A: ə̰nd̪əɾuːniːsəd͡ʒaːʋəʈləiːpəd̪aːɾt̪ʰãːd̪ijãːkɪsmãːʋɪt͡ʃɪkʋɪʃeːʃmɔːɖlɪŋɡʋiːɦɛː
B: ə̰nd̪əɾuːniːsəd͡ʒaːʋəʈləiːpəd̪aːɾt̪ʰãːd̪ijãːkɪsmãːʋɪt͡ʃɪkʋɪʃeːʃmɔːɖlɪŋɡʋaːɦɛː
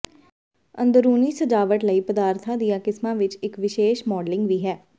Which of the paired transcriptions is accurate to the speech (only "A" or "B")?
A